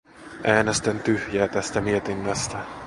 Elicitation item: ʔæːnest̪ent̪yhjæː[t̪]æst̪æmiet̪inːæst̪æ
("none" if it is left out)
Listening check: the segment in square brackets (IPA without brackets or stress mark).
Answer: t̪